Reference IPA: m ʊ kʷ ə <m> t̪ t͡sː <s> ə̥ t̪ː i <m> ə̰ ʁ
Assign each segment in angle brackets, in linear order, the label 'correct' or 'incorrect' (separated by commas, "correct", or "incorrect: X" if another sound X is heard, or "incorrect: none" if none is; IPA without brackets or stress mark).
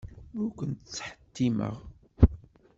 incorrect: n, incorrect: ħ, correct